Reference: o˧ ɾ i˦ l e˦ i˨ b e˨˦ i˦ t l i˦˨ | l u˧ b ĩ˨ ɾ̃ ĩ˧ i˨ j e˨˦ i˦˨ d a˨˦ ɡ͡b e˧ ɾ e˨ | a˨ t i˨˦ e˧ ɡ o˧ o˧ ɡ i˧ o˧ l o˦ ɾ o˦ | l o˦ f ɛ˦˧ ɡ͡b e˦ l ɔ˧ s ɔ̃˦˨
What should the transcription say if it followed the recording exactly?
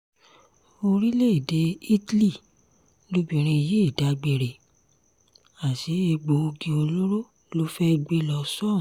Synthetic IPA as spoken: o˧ ɾ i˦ l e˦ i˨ d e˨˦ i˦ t l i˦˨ | l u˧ b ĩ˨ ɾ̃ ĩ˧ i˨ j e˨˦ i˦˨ d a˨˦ ɡ͡b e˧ ɾ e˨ | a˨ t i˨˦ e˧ ɡ͡b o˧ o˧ ɡ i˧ o˧ l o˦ ɾ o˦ | l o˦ f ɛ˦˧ ɡ͡b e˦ l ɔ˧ s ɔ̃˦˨